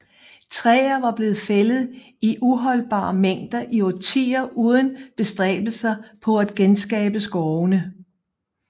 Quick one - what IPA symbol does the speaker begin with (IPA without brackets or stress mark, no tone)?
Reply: t͡sʰ